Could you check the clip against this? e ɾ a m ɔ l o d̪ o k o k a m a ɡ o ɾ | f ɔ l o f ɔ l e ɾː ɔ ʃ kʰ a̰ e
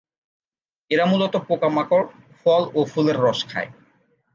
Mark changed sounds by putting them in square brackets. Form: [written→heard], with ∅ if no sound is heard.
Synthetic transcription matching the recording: e ɾ a m [ɔ→u] l o [d̪→t̪] o [k→p] o k a m a [ɡ→k] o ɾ | f ɔ l o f [ɔ→u] l e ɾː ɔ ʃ kʰ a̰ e